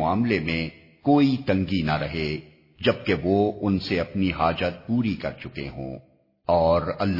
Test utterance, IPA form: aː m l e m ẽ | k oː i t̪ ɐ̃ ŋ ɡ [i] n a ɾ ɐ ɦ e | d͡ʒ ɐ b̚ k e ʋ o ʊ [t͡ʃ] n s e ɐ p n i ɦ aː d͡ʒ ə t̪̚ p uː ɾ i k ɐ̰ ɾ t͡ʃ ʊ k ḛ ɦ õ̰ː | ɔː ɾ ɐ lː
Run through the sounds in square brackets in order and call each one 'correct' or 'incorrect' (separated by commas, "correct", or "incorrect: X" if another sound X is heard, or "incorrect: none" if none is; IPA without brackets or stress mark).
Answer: correct, incorrect: none